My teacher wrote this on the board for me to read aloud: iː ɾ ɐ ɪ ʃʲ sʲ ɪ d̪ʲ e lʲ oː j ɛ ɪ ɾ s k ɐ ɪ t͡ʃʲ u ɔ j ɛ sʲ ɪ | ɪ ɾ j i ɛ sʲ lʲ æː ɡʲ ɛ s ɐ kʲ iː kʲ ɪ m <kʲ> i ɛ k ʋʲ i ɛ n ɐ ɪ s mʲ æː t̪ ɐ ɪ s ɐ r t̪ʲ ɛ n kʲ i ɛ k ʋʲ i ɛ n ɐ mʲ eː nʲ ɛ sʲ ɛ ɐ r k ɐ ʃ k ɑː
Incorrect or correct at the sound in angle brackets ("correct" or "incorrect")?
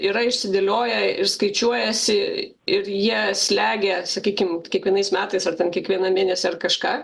correct